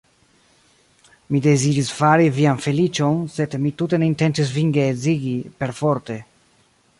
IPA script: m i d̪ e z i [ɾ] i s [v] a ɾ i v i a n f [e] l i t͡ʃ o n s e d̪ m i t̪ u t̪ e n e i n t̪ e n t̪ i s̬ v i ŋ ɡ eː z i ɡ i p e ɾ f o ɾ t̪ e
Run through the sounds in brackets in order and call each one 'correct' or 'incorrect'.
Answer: correct, incorrect: f, correct

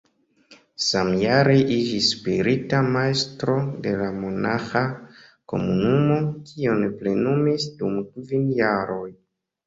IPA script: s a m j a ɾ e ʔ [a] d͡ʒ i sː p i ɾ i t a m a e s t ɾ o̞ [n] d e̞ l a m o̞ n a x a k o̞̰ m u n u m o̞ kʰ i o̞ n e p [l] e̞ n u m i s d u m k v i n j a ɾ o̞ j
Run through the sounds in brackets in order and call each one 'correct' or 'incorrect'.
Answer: incorrect: i, incorrect: none, correct

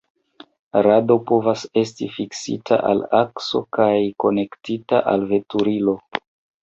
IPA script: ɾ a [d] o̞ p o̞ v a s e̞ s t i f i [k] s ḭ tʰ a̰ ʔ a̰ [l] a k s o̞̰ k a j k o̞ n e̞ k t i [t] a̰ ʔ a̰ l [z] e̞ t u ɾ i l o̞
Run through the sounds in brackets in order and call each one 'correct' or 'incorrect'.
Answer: correct, correct, correct, correct, incorrect: v

